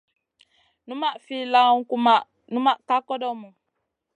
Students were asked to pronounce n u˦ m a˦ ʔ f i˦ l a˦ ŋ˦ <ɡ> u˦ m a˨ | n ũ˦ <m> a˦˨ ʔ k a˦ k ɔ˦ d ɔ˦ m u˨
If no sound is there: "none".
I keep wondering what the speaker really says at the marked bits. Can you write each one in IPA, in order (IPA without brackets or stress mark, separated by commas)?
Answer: k, m